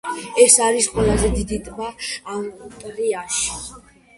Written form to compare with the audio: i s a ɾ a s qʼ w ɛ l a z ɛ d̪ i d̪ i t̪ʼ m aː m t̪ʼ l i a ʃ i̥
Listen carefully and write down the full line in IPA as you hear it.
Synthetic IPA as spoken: ɛ s a ɾ i s qʼ w ɛ l a z ɛ d̪ i d̪ i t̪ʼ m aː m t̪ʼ ɾ i a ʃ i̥